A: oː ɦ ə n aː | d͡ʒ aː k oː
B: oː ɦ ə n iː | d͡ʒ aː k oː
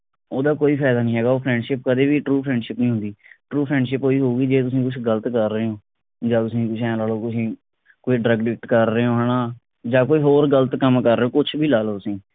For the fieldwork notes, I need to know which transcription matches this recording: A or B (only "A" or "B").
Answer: A